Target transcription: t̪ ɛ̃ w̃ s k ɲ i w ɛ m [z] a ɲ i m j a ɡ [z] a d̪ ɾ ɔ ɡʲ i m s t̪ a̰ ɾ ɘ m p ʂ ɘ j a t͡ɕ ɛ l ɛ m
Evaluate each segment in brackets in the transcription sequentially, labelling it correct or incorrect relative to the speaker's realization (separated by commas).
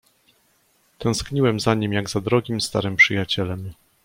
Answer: correct, correct